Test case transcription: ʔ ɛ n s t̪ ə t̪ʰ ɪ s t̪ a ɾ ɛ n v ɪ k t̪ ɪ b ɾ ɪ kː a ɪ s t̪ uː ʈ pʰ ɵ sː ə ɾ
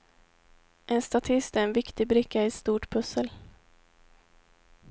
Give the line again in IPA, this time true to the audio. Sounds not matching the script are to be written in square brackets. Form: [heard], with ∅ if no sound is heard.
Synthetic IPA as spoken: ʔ ɛ n s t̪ [a] t̪ʰ ɪ s t̪ [æ] ɾ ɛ n v ɪ k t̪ ɪ b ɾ ɪ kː a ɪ s t̪ uː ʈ pʰ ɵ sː ə [l]